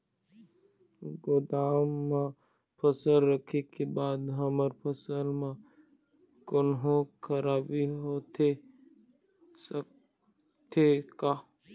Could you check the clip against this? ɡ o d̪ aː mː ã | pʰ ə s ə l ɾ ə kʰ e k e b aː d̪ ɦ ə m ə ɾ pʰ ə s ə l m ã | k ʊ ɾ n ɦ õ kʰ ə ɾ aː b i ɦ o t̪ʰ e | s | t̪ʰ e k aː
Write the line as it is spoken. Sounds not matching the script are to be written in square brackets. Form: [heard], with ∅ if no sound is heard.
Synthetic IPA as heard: ɡ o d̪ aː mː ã | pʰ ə s ə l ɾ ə kʰ e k e b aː d̪ ɦ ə m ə ɾ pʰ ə s ə l m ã | k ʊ [∅] n ɦ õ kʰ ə ɾ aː b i ɦ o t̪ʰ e | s | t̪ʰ e k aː